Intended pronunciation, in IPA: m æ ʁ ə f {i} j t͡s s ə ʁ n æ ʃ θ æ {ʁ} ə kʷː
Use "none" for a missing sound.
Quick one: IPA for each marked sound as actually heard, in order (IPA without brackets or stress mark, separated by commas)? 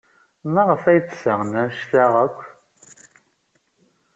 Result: æ, ʁ